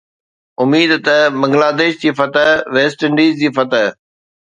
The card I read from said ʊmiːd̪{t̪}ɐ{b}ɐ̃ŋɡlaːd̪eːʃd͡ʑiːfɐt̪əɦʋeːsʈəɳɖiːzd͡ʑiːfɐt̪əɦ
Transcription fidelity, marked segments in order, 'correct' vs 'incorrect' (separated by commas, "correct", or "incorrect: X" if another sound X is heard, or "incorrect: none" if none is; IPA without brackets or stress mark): correct, correct